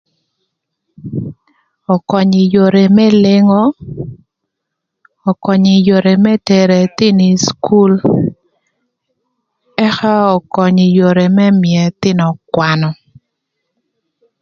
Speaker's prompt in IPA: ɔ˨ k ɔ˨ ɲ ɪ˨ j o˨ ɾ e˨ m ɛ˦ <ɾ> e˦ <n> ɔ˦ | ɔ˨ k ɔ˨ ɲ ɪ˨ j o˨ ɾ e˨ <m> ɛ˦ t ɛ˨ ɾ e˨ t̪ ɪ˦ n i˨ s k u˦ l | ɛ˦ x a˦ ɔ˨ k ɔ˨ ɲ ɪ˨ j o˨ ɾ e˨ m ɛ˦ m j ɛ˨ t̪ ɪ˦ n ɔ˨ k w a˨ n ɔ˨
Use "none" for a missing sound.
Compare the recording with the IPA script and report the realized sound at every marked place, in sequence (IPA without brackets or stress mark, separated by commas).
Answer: l, ŋ, m